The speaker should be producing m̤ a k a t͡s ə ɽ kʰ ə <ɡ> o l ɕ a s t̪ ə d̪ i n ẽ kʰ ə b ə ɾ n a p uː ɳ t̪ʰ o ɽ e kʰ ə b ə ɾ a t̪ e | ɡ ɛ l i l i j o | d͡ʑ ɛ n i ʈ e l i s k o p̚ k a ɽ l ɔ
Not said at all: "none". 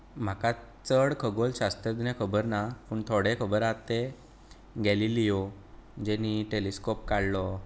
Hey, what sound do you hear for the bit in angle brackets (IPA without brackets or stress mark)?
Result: ɡ